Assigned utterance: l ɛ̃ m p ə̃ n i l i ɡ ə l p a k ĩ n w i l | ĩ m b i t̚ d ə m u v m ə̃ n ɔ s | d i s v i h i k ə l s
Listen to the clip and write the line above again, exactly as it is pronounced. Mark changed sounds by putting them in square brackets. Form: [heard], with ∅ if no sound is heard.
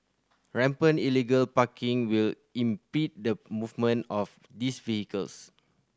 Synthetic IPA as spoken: [ɹ] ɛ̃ m p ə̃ n i l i ɡ ə l p a k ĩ [ŋ] w i l | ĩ m [p] i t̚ d ə m u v m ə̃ n ɔ [f] | d i s v i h i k ə l s